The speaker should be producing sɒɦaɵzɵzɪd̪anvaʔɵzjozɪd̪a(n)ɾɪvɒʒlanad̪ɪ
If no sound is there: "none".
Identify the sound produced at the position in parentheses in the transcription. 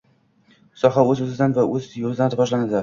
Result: n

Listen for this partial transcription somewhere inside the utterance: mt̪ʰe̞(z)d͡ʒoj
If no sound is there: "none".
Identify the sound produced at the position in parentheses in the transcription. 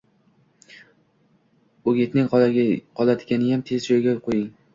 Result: z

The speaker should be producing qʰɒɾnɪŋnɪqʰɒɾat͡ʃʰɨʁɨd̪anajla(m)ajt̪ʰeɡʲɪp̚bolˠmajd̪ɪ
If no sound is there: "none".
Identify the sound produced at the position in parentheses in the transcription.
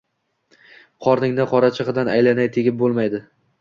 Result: n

